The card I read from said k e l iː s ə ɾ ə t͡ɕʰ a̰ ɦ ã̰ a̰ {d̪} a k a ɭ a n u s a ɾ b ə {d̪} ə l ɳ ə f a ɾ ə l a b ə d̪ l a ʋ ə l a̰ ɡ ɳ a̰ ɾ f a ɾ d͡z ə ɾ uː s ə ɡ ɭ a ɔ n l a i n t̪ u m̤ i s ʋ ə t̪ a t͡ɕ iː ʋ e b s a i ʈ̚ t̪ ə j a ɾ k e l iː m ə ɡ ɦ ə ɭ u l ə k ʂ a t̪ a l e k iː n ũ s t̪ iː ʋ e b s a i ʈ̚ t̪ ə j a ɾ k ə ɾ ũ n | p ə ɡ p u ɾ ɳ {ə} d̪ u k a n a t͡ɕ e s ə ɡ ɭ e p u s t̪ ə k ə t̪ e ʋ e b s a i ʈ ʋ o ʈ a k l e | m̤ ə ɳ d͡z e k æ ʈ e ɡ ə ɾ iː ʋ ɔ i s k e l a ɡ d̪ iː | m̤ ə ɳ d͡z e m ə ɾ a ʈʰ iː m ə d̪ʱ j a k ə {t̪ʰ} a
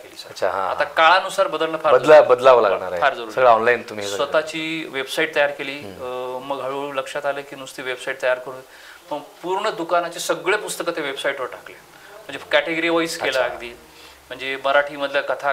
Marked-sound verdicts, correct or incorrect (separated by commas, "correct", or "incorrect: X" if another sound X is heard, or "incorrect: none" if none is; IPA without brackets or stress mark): incorrect: t̪, correct, correct, correct